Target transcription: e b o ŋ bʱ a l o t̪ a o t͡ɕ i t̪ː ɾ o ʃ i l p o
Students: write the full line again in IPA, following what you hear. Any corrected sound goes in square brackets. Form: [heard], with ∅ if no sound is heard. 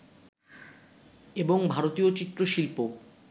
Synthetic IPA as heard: e b o ŋ bʱ a [ɾ] o t̪ [i] o t͡ɕ i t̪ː ɾ o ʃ i l p o